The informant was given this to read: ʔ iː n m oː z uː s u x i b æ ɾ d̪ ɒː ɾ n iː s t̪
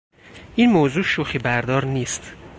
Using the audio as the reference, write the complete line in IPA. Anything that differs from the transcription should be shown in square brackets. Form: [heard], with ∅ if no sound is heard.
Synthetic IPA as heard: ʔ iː n m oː z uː [ʃ] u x i b æ ɾ d̪ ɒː ɾ n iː s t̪